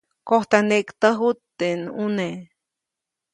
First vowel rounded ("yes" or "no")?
yes